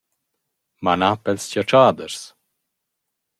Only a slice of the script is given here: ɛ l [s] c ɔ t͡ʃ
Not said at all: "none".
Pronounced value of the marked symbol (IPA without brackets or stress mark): s